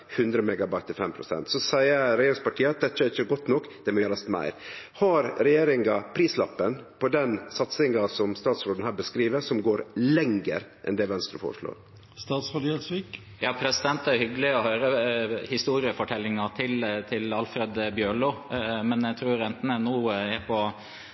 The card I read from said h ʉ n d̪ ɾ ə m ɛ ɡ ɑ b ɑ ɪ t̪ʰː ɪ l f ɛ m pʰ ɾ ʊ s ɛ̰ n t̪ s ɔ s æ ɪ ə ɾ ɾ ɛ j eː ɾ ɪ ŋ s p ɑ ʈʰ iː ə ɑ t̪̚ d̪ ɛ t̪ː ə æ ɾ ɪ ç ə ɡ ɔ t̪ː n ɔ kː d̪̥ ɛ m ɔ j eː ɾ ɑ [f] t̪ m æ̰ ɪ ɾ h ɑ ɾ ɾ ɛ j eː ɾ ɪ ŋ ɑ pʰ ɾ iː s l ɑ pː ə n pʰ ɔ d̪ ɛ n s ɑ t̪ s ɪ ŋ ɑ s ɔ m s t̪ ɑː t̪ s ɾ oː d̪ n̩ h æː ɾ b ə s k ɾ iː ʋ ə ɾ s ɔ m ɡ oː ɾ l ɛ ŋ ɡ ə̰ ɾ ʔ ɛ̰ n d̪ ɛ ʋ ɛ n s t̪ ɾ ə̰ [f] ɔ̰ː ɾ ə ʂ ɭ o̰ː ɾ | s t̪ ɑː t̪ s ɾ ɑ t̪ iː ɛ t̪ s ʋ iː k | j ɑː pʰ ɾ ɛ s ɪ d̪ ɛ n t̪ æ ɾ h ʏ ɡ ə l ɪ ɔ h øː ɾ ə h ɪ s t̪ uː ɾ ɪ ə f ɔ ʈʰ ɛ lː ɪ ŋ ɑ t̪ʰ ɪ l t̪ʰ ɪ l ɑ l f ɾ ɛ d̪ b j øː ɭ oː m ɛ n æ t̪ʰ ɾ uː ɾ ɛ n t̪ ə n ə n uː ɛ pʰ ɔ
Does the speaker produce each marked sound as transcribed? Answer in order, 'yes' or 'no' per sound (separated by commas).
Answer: no, yes